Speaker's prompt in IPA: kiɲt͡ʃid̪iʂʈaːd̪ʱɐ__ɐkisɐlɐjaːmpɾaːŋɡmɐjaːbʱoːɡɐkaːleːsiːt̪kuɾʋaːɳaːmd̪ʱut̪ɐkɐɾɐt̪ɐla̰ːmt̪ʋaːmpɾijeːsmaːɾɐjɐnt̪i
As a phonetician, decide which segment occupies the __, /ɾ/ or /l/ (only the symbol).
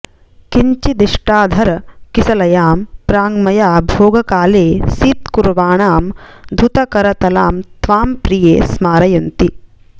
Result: ɾ